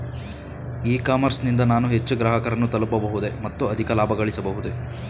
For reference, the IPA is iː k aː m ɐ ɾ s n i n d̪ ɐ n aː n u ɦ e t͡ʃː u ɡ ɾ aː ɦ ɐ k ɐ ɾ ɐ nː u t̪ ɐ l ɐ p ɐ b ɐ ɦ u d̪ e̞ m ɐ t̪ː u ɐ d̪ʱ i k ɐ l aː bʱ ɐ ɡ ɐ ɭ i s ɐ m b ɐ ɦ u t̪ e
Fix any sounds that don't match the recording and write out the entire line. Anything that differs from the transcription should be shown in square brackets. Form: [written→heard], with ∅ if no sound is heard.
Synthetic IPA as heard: iː k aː m ɐ ɾ s n i n d̪ ɐ n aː n u ɦ e t͡ʃː u ɡ ɾ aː ɦ ɐ k ɐ ɾ ɐ nː u t̪ ɐ l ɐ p ɐ b ɐ ɦ u d̪ e̞ m ɐ t̪ː u ɐ d̪ʱ i k ɐ l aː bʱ ɐ ɡ ɐ ɭ i s ɐ [m→∅] b ɐ ɦ u [t̪→d̪] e